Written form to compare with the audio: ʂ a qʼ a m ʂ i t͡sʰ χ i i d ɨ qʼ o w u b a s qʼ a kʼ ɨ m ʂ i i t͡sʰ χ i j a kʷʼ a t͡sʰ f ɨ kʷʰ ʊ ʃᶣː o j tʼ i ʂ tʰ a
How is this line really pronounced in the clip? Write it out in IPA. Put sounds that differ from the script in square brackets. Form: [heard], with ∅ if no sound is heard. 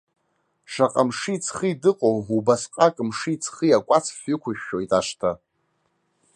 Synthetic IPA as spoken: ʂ a qʼ a m ʂ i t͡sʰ χ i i d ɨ qʼ o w u b a s qʼ a kʼ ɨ m ʂ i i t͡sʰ χ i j a kʷʼ a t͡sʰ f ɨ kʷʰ ʊ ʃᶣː o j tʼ [a] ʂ tʰ a